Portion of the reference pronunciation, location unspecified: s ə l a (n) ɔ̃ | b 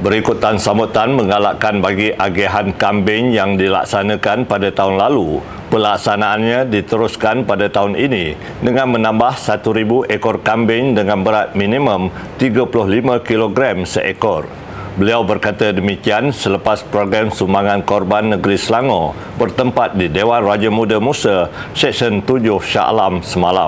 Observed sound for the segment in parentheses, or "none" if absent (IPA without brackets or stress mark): ŋ